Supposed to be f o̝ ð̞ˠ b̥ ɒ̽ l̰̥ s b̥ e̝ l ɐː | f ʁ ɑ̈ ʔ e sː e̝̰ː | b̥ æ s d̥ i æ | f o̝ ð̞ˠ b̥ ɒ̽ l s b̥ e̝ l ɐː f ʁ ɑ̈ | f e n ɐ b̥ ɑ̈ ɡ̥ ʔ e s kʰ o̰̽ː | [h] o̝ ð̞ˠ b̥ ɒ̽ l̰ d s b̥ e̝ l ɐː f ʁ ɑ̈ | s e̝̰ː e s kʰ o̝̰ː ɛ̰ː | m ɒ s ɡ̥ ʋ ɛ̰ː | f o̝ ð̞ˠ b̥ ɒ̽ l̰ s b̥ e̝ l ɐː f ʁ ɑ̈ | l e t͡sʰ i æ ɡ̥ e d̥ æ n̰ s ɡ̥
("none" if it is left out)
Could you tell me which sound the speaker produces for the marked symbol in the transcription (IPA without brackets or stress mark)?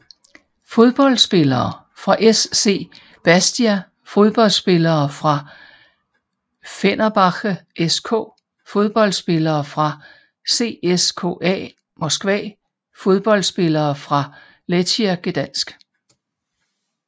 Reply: f